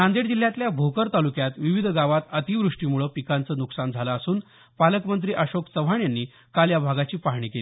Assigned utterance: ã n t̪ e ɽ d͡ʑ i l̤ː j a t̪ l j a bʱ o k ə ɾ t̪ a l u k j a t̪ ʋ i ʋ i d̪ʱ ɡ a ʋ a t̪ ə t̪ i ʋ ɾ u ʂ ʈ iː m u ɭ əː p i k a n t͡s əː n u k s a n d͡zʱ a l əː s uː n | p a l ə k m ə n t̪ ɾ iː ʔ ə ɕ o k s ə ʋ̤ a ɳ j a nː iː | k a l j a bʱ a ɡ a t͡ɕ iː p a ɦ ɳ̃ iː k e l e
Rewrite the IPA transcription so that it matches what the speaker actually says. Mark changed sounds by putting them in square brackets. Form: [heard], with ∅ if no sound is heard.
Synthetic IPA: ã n [d̪] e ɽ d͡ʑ i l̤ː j a t̪ l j a bʱ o k ə ɾ t̪ a l u k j a t̪ ʋ i ʋ i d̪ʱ ɡ a ʋ a t̪ ə t̪ i ʋ ɾ u ʂ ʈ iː m u ɭ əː p i k a n t͡s əː n u k s a n d͡zʱ a l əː s uː n | p a l ə k m ə n t̪ ɾ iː ʔ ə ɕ o k s ə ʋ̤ a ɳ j a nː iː | k a l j a bʱ a ɡ a t͡ɕ iː p a ɦ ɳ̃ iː k e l [i]